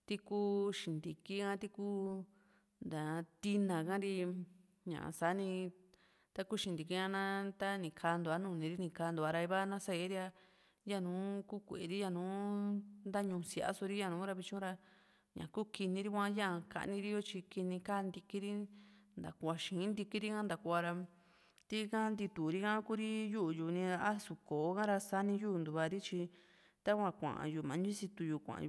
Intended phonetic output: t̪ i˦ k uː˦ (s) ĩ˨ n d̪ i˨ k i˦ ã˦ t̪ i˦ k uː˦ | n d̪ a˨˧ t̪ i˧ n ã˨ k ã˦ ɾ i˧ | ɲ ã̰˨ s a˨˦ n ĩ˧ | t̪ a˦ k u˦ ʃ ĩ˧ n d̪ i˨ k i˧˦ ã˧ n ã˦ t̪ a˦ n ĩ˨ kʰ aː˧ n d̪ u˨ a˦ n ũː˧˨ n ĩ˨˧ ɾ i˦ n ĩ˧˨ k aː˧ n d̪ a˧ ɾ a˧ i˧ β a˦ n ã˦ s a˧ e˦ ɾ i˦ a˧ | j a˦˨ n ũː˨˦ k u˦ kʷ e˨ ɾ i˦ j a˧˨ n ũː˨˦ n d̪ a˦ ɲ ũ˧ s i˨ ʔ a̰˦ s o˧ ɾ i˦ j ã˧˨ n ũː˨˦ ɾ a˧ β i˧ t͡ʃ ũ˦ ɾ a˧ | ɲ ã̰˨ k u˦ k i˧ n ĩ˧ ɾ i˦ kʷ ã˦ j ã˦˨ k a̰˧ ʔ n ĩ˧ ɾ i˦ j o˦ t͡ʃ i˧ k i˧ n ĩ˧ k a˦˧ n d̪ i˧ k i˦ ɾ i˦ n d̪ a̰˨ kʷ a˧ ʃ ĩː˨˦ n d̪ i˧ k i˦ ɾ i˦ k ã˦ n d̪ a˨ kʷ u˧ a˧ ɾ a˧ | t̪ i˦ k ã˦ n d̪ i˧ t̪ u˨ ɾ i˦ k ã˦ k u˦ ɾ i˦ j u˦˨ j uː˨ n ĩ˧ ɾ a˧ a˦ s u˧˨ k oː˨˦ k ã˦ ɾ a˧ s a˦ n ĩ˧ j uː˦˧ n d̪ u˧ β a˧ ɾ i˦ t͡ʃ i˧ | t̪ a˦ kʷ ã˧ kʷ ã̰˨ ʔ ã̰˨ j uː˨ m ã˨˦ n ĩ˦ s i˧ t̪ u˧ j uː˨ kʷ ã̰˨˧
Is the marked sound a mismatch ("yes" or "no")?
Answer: yes